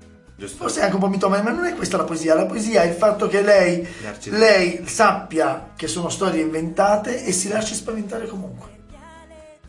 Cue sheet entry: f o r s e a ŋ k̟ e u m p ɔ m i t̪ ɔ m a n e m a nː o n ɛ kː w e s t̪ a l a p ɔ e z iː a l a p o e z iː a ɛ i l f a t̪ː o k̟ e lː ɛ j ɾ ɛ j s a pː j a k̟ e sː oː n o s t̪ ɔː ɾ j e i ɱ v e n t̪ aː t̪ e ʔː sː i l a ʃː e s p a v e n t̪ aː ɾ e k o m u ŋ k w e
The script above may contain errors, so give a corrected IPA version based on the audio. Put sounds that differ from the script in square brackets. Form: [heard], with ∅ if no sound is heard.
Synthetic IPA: f o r s e a ŋ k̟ e u m p ɔ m i t̪ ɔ m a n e m a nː o n ɛ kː w e s t̪ a l a p [o] e z iː a l a p o e z iː a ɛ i l f a t̪ː o k̟ e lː ɛ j [l] ɛ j s a pː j a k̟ e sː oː n o s t̪ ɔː ɾ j e i ɱ v e n t̪ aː t̪ e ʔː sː i l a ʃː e s p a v e n t̪ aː ɾ e k o m u ŋ k w e